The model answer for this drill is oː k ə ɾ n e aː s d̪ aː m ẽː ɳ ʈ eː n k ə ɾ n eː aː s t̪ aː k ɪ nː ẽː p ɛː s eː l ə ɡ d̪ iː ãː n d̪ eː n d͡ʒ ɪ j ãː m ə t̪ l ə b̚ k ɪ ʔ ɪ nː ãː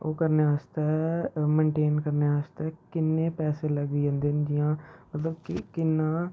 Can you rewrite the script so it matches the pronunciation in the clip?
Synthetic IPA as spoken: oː k ə ɾ n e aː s t̪ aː m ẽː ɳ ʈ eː n k ə ɾ n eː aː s t̪ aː k ɪ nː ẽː p ɛː s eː l ə ɡ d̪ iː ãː n d̪ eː n d͡ʒ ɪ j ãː m ə t̪ l ə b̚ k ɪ k ɪ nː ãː